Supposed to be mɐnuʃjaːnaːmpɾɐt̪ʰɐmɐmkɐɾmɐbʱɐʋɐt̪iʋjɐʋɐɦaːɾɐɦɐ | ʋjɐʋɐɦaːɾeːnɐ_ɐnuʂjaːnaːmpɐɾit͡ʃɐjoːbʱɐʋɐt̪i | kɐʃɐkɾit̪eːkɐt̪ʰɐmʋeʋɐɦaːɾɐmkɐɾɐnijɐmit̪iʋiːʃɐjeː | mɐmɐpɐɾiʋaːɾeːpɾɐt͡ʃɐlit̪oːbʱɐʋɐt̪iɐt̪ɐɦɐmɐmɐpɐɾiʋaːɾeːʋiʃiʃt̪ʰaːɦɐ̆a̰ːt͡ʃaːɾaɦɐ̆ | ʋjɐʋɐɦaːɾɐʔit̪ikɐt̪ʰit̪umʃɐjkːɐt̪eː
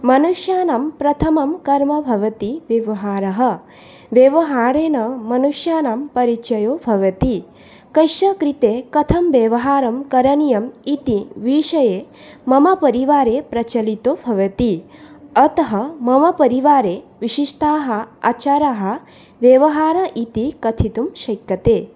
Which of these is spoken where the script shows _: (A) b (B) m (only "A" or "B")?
B